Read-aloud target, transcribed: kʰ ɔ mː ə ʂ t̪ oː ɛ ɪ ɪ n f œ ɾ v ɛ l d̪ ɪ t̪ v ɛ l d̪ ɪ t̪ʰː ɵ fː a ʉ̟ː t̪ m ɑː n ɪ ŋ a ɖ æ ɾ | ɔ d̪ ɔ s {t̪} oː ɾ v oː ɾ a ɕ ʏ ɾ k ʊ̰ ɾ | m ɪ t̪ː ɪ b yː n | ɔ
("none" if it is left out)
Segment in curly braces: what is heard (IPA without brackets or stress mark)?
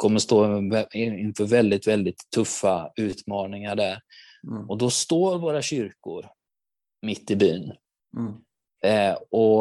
t̪